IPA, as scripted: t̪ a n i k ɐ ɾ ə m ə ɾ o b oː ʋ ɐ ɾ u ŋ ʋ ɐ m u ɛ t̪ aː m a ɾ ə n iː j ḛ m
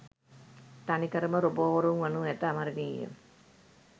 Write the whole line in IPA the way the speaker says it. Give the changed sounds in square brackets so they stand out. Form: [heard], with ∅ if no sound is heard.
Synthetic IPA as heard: t̪ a n i k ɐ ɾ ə m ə ɾ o b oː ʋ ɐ ɾ u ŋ ʋ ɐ [n] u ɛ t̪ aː m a ɾ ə n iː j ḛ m